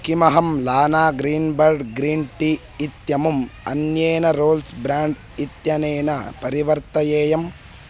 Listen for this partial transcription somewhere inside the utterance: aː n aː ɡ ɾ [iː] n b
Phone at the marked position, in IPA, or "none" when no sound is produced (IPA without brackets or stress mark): iː